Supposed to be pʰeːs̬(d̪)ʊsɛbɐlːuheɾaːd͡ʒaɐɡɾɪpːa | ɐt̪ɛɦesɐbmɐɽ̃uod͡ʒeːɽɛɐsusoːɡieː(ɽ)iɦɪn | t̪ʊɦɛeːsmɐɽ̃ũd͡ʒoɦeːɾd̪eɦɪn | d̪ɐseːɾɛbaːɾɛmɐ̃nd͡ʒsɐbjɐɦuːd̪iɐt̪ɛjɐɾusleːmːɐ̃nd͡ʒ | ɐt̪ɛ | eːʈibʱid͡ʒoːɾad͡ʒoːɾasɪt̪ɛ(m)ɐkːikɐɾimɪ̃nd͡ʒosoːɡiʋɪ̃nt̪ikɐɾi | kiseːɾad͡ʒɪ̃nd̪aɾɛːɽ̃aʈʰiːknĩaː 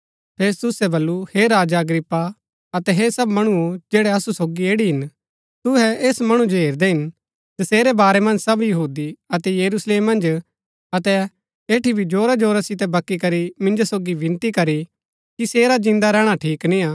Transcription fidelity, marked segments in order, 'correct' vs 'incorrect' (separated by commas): incorrect, correct, incorrect